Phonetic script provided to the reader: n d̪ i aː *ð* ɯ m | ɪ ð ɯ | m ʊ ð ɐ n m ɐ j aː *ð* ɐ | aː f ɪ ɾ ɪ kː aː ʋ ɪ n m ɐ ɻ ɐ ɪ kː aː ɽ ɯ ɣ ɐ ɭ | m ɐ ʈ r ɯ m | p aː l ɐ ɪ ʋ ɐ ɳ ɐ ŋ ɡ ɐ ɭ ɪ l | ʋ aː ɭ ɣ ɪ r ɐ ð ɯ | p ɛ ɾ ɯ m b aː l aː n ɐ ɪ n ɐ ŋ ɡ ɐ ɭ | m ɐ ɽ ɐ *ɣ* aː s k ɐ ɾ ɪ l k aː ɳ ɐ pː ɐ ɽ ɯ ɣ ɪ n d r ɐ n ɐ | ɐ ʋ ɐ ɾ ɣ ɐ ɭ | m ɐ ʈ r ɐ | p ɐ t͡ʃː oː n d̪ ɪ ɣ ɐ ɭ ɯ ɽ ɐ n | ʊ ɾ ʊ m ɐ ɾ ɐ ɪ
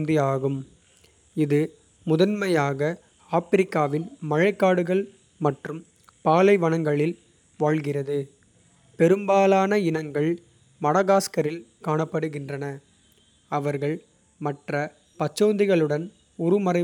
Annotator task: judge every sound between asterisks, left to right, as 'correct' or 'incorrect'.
incorrect, incorrect, correct

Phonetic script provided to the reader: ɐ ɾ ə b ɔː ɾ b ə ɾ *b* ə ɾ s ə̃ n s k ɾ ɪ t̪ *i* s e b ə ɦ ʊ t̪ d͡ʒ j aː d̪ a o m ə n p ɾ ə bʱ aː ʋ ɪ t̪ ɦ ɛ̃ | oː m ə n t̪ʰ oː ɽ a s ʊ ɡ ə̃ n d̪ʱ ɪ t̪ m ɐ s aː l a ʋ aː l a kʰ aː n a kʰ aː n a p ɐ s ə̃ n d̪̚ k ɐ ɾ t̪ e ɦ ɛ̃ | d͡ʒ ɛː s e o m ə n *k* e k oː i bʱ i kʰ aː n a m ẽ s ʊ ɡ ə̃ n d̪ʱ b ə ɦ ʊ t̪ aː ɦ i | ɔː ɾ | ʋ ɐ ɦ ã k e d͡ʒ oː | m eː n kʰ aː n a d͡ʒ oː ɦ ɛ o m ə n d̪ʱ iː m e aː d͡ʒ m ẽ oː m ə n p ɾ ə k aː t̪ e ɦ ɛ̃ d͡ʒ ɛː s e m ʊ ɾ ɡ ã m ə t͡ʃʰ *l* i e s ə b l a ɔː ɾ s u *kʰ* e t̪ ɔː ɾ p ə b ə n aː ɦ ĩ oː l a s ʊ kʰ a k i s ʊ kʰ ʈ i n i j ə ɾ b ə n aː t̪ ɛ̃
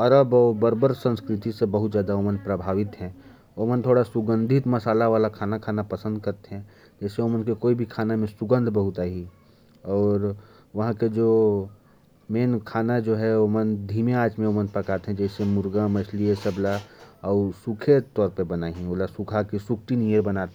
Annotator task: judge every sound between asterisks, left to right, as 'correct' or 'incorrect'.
correct, correct, correct, correct, correct

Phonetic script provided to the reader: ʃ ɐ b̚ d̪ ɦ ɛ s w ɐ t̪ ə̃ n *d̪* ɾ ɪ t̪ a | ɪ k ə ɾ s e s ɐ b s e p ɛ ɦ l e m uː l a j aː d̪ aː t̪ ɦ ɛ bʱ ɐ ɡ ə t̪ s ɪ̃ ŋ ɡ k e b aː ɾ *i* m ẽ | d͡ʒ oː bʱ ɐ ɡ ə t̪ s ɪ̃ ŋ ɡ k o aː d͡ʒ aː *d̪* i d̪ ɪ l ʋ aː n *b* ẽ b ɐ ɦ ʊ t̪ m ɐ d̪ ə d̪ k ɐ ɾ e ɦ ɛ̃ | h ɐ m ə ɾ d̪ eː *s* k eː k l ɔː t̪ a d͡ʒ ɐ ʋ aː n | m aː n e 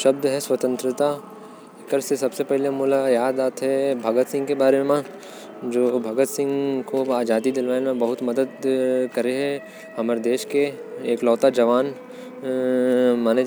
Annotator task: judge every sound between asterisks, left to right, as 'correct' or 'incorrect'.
incorrect, incorrect, correct, incorrect, incorrect

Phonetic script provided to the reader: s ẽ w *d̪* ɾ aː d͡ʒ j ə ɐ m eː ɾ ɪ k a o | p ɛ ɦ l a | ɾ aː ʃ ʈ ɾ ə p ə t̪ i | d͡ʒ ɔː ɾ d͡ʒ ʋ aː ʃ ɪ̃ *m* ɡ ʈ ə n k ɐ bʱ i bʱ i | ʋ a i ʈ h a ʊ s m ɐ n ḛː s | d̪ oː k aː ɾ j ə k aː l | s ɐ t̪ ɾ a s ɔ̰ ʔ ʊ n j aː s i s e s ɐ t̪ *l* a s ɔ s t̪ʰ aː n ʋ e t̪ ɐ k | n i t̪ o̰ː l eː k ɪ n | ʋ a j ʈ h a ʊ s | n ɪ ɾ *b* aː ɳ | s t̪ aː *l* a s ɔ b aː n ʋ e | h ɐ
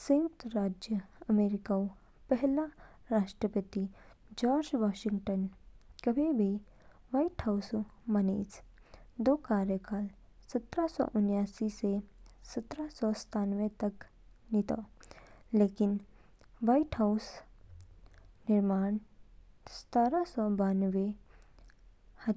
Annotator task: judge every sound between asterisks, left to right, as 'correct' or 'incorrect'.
incorrect, incorrect, incorrect, incorrect, incorrect

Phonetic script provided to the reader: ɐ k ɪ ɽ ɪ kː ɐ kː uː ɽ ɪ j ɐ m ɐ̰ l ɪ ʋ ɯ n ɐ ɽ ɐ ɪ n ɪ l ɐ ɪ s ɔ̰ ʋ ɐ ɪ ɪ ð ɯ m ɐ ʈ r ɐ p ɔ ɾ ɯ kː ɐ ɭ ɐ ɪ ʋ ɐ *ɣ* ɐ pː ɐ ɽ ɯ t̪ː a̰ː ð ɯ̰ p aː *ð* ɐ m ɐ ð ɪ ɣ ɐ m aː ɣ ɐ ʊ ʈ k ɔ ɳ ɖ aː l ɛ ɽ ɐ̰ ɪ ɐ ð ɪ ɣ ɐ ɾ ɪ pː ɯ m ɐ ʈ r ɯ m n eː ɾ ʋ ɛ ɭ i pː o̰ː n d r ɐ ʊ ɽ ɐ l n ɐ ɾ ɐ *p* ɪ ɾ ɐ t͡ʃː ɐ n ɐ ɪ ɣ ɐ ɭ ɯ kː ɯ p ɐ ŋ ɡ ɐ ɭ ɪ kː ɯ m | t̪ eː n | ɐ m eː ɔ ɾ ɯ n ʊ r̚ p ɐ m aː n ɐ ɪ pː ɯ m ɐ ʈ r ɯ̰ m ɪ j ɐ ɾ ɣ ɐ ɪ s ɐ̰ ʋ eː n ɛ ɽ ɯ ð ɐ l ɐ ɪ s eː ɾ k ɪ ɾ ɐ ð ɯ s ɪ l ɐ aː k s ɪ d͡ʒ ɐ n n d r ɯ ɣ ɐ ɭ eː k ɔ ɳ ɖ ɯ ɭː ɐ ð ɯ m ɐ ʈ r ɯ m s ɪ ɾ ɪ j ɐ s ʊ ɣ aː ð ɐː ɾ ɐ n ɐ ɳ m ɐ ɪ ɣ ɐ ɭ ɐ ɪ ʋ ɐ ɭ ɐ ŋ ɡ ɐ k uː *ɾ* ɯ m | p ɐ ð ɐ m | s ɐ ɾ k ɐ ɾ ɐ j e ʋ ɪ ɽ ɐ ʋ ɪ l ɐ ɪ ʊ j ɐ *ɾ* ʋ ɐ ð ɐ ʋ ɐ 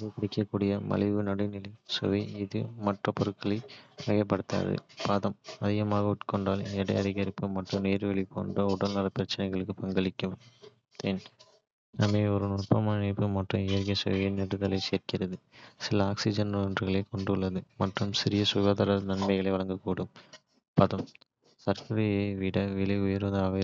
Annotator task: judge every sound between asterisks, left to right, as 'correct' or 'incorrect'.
correct, correct, correct, incorrect, correct

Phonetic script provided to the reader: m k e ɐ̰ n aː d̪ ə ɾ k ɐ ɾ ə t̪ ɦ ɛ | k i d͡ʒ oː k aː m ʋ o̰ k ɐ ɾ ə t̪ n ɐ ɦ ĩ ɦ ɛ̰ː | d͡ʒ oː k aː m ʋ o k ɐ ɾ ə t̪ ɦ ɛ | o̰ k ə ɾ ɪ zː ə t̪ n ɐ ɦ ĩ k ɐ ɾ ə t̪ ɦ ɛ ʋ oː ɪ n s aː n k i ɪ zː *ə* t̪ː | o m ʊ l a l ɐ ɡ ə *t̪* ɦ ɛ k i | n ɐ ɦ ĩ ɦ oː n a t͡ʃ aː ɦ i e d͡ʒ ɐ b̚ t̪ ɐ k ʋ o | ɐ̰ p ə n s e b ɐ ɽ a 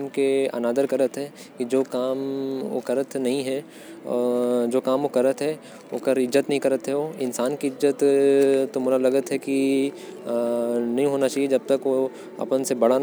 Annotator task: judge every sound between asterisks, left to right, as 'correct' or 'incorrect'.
correct, correct

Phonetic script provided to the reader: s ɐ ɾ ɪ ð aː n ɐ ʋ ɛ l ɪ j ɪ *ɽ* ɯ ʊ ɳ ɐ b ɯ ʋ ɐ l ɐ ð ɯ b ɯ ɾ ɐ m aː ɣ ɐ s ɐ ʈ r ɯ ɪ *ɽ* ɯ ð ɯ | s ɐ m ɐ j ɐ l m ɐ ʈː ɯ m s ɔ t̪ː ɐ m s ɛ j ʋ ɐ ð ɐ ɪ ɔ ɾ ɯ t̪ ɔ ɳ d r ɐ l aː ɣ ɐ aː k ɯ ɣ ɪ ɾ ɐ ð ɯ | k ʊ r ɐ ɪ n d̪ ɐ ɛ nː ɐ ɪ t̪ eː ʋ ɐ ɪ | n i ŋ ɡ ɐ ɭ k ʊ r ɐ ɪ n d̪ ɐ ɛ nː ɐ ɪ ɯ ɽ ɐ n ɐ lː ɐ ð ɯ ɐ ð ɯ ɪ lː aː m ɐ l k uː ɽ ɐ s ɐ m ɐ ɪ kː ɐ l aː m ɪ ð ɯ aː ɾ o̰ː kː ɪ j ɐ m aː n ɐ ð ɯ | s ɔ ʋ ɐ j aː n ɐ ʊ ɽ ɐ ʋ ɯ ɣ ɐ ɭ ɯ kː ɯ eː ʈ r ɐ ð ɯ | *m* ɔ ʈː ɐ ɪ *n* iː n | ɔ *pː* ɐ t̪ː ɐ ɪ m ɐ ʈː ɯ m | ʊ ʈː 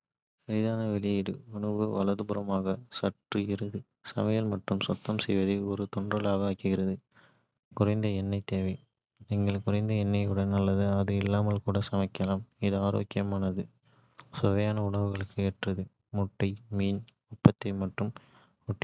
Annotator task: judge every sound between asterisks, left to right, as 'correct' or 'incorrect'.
correct, incorrect, correct, incorrect, correct

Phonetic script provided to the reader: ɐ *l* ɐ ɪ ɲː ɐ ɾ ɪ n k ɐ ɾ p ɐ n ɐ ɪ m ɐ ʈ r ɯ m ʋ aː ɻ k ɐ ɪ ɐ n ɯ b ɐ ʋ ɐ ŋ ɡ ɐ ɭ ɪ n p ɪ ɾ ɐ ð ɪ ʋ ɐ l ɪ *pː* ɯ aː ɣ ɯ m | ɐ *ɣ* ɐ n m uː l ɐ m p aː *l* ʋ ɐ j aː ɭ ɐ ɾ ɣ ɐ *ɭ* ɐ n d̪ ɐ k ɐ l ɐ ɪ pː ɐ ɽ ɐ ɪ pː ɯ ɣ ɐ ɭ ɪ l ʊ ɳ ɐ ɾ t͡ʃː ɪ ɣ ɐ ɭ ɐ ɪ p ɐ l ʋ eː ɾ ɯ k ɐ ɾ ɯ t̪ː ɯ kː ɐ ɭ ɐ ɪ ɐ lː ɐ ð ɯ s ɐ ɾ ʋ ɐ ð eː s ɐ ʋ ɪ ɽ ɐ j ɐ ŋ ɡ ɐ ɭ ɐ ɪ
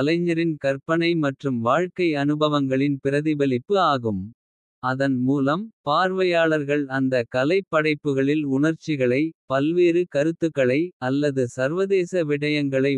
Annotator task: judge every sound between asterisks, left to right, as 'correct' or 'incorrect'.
correct, correct, incorrect, incorrect, correct

